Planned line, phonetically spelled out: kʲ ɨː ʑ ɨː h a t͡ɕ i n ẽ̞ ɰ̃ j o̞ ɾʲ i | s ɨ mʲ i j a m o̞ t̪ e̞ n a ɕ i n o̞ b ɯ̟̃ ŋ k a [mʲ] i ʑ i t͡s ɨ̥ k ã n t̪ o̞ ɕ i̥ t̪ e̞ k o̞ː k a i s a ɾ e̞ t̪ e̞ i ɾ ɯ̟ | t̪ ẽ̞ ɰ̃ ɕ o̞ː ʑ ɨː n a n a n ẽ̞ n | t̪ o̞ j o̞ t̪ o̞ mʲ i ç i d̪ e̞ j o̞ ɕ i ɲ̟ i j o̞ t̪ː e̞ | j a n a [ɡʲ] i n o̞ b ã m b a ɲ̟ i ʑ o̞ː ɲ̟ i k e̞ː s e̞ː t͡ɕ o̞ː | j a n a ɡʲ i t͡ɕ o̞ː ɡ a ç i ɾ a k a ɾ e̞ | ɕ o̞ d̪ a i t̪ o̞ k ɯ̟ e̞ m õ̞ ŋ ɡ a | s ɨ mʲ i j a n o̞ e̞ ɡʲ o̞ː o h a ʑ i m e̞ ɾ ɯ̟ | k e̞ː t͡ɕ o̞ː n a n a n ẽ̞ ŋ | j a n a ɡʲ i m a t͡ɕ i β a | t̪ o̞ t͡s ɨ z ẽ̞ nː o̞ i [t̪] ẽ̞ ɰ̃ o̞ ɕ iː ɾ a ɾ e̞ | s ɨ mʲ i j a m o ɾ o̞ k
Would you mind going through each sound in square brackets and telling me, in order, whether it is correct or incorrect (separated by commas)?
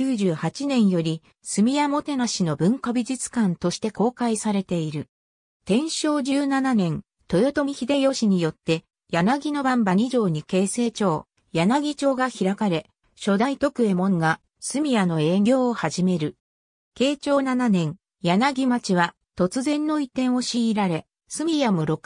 incorrect, correct, correct